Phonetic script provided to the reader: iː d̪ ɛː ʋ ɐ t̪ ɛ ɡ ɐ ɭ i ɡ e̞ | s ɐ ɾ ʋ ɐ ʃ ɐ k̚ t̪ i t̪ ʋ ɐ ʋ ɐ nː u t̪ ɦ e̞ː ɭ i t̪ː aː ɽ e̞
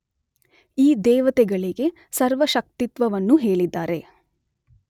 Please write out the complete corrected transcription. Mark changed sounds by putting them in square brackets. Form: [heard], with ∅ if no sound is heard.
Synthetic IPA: iː d̪ ɛː ʋ ɐ t̪ ɛ ɡ ɐ ɭ i ɡ e̞ | s ɐ ɾ ʋ ɐ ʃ ɐ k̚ t̪ i t̪ ʋ ɐ ʋ ɐ nː u [∅] ɦ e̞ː ɭ i [d̪ː] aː [ɾ] e̞

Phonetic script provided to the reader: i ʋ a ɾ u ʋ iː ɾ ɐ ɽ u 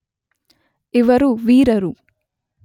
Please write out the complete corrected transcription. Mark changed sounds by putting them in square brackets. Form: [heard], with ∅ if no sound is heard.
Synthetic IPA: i ʋ [ɐ] ɾ u ʋ iː ɾ ɐ [ɾ] u

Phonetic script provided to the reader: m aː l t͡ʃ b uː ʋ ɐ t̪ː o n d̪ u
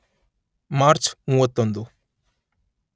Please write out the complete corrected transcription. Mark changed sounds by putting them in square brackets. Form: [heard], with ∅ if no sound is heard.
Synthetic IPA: m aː [ɾ] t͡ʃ [m] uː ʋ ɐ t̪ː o n d̪ u

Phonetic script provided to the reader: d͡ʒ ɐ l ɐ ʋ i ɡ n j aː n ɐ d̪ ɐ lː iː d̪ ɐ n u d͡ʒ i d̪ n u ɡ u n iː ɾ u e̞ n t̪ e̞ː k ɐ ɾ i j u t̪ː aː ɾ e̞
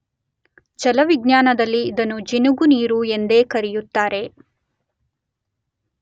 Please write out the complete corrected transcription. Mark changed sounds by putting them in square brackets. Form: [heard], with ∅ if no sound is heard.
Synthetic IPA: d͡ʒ ɐ l ɐ ʋ i ɡ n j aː n ɐ d̪ ɐ lː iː d̪ ɐ n u d͡ʒ i [∅] n u ɡ u n iː ɾ u e̞ n [d̪] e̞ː k ɐ ɾ i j u t̪ː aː ɾ e̞

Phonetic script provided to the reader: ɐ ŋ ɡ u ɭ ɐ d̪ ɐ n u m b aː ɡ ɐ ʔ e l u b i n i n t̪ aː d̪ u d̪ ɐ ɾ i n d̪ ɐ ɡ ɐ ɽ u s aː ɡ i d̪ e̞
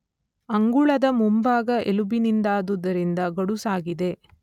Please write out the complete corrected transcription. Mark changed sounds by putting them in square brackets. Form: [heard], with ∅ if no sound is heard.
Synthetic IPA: ɐ ŋ ɡ u ɭ ɐ d̪ ɐ [m] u m b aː ɡ ɐ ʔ e l u b i n i n [d̪] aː d̪ u d̪ ɐ ɾ i n d̪ ɐ ɡ ɐ ɽ u s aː ɡ i d̪ e̞

